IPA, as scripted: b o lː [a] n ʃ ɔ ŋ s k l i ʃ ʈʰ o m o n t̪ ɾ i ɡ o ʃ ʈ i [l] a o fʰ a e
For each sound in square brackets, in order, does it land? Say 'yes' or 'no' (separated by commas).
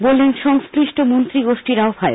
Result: no, no